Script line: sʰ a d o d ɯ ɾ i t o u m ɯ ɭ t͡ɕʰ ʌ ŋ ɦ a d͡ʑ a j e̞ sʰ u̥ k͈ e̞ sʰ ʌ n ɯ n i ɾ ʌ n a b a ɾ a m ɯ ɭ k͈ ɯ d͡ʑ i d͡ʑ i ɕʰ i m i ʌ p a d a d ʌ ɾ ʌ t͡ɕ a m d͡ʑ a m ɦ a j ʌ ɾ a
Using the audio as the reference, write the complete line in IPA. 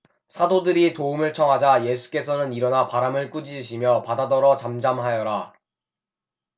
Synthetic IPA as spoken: sʰ a d o d ɯ ɾ i t o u m ɯ ɭ t͡ɕʰ ʌ ŋ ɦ a d͡ʑ a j e̞ sʰ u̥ k͈ e̞ sʰ ʌ n ɯ n i ɾ ʌ n a p a ɾ a m ɯ ɭ k͈ u d͡ʑ i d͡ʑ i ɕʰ i m j ʌ p a d a d ʌ ɾ ʌ t͡ɕ a m d͡ʑ a m ɦ a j ʌ ɾ a